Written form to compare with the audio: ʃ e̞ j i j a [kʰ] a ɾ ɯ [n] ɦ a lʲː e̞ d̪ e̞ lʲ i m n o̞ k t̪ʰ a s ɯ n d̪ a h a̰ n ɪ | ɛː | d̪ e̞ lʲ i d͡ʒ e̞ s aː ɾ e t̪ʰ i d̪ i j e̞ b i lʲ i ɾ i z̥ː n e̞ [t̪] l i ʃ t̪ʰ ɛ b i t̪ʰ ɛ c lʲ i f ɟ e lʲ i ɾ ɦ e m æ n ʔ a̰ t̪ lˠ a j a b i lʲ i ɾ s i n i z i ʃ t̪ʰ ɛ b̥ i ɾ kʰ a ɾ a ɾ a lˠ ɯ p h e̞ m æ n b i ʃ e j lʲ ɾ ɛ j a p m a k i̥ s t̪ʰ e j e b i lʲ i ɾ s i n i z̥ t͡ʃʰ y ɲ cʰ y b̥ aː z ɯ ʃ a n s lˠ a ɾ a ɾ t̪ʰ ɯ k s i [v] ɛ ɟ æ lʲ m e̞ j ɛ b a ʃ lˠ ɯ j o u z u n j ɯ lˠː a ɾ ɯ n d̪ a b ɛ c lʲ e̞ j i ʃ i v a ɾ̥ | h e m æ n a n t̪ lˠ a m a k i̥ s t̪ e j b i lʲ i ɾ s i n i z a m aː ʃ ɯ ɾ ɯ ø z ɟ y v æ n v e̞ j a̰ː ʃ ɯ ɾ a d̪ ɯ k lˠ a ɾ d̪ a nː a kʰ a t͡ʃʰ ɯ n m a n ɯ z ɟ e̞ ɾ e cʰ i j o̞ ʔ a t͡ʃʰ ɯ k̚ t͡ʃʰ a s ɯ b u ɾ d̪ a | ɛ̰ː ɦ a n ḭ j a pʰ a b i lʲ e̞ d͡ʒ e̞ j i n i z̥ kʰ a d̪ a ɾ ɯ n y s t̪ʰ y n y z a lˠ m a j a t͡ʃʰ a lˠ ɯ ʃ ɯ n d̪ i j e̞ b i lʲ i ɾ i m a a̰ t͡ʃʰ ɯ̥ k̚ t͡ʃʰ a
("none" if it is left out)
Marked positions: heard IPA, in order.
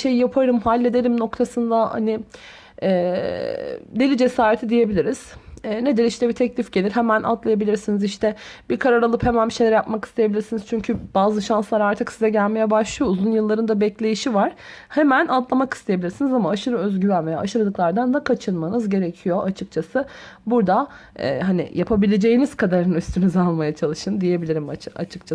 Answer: pʰ, m, d̪, z

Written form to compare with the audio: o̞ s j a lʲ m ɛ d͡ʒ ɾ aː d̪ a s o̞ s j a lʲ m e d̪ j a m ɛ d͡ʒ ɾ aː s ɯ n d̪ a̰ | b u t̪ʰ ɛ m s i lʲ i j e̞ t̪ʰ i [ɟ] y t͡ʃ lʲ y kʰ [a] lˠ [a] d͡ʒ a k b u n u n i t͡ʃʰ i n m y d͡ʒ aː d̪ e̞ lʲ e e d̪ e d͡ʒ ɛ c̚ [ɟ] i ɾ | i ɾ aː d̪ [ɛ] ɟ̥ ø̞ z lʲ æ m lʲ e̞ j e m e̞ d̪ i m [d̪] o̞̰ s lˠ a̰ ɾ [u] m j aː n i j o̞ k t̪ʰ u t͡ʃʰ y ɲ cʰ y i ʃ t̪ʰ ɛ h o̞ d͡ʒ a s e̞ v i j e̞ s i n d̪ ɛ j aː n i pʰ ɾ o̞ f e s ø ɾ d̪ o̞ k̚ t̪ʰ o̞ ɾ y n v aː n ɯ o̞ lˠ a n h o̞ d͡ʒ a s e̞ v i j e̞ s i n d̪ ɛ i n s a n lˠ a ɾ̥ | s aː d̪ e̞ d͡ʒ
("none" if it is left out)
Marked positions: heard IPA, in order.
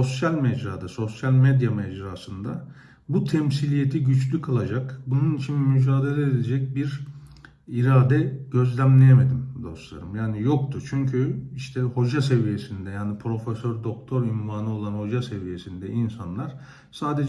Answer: ɟ, a, a, b, ɛ, d̪, ɯ

